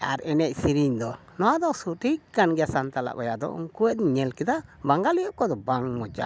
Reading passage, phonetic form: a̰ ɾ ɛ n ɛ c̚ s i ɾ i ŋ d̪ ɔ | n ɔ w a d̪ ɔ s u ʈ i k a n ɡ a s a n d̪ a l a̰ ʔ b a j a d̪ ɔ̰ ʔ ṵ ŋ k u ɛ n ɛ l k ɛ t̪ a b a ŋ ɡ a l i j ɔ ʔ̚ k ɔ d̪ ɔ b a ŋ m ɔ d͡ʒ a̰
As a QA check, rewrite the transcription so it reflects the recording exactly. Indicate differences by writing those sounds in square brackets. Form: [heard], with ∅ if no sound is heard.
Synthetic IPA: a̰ ɾ ɛ n ɛ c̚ s i ɾ i [ɲ] d̪ ɔ | n ɔ w a d̪ ɔ s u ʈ i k a n ɡ a s a n [t̪] a l a̰ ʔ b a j a d̪ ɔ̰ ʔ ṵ ŋ k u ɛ [ɲ] ɛ l k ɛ [d̪] a b a ŋ ɡ a l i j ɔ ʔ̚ k ɔ d̪ ɔ b a ŋ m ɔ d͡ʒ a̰